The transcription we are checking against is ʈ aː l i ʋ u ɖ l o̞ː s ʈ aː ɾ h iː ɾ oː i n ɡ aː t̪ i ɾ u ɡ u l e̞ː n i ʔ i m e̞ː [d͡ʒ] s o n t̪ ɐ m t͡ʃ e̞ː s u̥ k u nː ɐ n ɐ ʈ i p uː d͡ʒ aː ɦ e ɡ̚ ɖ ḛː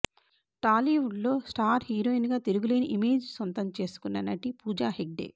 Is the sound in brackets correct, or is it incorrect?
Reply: correct